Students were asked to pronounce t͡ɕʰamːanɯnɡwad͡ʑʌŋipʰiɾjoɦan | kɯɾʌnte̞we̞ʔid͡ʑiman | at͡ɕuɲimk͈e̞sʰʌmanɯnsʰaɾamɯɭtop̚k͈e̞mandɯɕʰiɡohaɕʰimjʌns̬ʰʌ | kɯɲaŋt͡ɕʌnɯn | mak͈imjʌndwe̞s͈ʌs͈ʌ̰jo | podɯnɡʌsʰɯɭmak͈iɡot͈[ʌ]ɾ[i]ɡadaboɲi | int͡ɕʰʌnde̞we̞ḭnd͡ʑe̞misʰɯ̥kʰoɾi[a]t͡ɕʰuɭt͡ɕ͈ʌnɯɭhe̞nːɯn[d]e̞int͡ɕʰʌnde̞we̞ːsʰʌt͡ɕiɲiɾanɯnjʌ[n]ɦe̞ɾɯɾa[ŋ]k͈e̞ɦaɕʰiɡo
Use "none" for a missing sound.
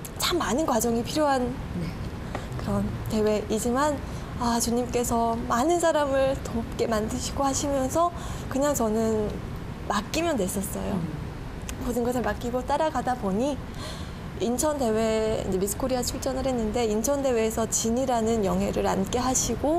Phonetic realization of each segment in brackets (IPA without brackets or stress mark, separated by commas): a, a, a, d, ŋ, n